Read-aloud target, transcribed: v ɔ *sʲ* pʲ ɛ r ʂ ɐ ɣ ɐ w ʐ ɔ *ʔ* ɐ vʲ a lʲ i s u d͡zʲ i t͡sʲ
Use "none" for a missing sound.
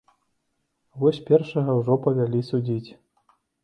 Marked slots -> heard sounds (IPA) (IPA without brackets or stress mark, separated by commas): sʲ, p